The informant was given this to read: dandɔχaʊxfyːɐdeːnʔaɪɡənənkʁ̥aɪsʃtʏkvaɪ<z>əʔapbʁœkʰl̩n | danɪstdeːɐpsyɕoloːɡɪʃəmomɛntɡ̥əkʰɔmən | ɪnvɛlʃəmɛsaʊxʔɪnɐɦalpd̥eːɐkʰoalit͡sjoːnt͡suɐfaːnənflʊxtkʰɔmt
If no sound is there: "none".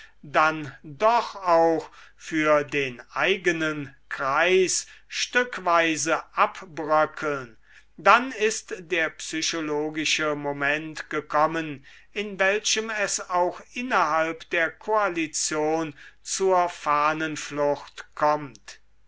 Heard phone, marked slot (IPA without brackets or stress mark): z